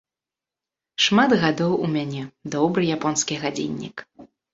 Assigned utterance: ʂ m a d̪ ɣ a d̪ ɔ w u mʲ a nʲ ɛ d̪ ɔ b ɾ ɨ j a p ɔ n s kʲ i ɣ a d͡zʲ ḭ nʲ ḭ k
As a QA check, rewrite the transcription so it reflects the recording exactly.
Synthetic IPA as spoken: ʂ m a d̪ ɣ a d̪ ɔ w u mʲ a nʲ ɛ d̪ ɔ b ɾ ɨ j a p ɔ n s kʲ i ɣ a d͡zʲ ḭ nʲː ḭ k